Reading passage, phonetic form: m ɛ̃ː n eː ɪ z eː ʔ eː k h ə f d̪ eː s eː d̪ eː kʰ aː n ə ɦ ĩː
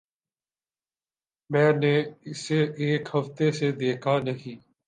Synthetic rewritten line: m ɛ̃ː n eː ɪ s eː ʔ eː k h ə f t̪ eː s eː d̪ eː kʰ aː n ə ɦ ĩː